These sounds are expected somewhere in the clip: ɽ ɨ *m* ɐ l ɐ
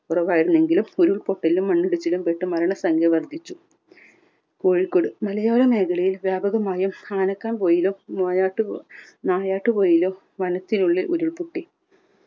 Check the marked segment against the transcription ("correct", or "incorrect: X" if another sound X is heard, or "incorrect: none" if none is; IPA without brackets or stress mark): correct